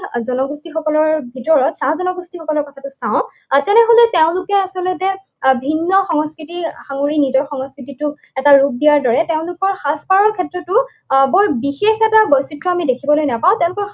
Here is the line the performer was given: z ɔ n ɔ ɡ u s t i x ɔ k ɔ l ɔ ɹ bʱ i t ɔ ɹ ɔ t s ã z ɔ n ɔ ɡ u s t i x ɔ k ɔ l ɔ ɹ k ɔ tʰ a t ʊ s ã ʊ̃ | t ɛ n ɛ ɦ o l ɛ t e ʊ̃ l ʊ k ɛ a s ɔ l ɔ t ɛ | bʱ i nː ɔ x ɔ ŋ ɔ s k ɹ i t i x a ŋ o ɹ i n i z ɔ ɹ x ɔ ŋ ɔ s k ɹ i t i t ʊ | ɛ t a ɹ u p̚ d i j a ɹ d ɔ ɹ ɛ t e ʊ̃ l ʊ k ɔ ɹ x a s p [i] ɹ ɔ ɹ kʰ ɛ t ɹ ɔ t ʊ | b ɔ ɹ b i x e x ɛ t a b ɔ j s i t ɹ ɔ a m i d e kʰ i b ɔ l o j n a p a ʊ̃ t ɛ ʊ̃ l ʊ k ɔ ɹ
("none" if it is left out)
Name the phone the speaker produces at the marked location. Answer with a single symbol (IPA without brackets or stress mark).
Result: a